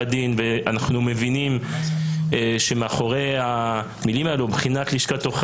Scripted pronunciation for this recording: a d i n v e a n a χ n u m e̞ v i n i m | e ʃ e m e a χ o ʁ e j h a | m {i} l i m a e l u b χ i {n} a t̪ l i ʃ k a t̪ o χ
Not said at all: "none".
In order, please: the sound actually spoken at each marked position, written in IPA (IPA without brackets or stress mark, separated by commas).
i, n